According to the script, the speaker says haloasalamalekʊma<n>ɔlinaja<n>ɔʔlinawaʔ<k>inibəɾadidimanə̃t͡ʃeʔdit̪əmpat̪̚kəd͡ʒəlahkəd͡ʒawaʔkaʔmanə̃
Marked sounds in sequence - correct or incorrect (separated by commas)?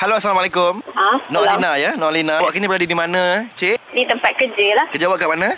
correct, correct, correct